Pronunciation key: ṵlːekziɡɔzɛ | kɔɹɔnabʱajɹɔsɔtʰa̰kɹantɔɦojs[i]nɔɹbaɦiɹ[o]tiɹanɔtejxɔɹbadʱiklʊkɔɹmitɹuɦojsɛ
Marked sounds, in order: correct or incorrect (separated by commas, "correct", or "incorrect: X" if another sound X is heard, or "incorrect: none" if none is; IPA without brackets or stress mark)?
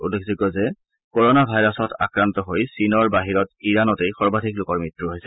correct, incorrect: ɔ